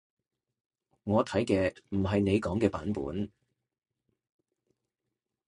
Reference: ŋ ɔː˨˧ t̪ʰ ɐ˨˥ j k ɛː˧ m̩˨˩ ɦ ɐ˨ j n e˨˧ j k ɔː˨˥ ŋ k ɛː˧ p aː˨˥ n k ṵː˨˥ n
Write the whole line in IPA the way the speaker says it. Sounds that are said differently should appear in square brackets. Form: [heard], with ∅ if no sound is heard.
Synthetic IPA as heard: ŋ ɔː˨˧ t̪ʰ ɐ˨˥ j k ɛː˧ m̩˨˩ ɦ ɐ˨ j n e˨˧ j k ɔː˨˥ ŋ k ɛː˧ p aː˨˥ n [p] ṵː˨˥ n